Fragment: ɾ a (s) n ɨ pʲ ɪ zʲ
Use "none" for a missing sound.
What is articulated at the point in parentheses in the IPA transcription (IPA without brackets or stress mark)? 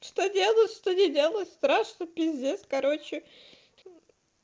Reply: ʂ